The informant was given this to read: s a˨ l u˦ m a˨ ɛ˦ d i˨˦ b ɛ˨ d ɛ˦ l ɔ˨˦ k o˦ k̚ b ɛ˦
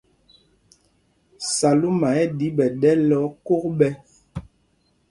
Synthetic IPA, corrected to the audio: s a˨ l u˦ m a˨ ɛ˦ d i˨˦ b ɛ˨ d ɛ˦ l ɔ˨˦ k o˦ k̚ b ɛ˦